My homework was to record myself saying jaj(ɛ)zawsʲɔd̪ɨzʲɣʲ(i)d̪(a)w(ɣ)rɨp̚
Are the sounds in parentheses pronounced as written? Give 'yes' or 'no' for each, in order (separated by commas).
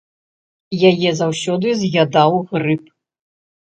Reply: yes, no, yes, yes